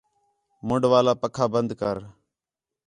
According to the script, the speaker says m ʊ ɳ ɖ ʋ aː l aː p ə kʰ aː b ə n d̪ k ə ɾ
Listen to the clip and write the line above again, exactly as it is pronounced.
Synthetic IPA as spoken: m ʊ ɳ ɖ ʋ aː l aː p ə kʰ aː b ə n d̪ k ə ɾ